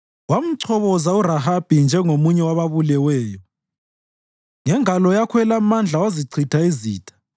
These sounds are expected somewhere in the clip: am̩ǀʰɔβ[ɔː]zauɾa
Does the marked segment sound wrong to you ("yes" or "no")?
yes